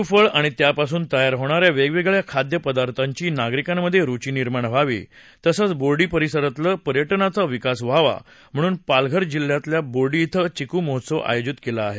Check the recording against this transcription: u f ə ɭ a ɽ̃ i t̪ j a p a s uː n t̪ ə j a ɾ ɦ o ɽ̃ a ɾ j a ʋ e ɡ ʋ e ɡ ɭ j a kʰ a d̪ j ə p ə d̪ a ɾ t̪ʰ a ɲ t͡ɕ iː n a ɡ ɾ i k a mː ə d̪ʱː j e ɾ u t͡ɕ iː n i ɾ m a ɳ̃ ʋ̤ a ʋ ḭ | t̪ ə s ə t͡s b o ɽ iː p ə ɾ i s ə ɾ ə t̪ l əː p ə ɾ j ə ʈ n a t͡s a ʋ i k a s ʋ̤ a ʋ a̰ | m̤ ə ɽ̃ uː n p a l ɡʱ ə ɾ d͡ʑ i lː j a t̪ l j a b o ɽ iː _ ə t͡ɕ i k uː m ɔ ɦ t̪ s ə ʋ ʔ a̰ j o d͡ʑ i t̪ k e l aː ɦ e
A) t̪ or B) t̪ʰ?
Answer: B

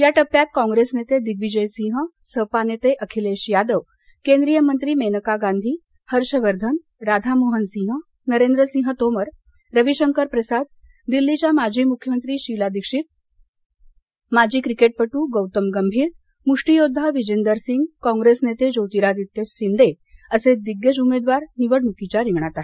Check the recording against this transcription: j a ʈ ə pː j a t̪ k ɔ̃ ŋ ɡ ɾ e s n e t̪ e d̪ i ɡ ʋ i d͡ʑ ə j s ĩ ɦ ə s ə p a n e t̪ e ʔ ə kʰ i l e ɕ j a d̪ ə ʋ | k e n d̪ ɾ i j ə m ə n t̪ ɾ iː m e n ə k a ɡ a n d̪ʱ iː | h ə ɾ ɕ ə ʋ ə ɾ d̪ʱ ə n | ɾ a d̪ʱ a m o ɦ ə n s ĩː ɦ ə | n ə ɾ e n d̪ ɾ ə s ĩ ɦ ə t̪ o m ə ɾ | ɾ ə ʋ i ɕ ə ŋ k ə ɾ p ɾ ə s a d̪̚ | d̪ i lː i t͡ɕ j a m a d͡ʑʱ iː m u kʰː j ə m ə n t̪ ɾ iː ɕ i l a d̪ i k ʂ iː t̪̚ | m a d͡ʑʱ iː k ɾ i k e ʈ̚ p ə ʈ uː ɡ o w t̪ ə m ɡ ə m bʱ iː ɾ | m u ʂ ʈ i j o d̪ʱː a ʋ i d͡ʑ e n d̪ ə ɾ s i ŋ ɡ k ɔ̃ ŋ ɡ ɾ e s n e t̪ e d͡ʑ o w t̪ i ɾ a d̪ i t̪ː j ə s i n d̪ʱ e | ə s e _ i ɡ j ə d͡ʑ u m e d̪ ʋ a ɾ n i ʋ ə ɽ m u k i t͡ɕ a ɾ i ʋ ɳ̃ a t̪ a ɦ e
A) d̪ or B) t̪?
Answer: A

